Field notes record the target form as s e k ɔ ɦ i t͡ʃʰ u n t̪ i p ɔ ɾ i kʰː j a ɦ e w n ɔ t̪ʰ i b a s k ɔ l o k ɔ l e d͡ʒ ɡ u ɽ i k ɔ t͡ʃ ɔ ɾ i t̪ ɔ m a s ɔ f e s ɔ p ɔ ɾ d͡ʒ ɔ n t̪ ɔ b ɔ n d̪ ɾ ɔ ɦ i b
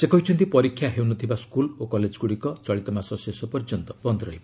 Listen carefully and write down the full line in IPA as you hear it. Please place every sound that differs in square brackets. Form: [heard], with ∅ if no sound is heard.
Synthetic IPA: s e k ɔ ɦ i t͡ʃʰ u n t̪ i p ɔ ɾ i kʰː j a ɦ e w n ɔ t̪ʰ i b a s k [u] l o k ɔ l e d͡ʒ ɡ u ɽ i k ɔ t͡ʃ ɔ [ɭ] i t̪ ɔ m a s ɔ [s] e s ɔ p ɔ ɾ d͡ʒ ɔ n t̪ ɔ b ɔ n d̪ ɾ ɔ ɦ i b